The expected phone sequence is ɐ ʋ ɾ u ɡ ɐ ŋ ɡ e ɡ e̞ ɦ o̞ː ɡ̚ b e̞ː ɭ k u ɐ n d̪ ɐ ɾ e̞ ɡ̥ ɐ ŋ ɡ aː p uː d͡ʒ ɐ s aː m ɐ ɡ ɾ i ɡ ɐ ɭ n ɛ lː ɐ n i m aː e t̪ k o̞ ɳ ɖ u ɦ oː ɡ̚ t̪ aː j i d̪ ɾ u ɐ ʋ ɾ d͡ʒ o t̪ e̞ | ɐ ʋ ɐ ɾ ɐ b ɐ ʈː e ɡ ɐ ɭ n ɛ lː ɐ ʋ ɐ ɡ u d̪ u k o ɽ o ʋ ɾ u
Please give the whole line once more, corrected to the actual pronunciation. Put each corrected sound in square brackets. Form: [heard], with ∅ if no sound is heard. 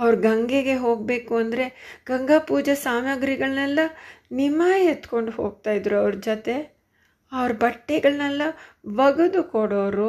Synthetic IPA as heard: ɐ ʋ ɾ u ɡ ɐ ŋ ɡ e ɡ e̞ ɦ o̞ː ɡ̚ b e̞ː [∅] k u ɐ n d̪ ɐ ɾ e̞ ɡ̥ ɐ ŋ ɡ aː p uː d͡ʒ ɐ s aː m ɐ ɡ ɾ i ɡ ɐ ɭ n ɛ lː ɐ n i m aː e t̪ k o̞ ɳ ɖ u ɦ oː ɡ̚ t̪ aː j i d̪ ɾ u ɐ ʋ ɾ d͡ʒ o t̪ e̞ | ɐ ʋ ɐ ɾ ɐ b ɐ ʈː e ɡ ɐ ɭ n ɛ lː ɐ ʋ ɐ ɡ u d̪ u k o ɽ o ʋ ɾ u